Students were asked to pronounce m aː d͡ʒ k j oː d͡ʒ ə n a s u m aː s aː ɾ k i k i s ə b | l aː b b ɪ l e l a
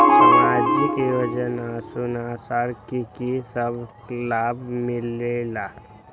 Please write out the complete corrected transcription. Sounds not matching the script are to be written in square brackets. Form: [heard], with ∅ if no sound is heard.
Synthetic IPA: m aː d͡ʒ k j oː d͡ʒ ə n a s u [n] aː s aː ɾ k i k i s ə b | l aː b [m] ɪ l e l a